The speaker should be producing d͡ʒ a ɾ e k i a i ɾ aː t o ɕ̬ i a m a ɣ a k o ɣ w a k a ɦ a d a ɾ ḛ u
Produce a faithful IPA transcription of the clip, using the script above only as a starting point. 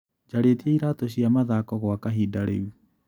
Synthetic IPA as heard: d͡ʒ a ɾ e t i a i ɾ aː t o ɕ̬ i a m a ð a k ɔ ɣ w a k a ɦ i d a ɾ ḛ u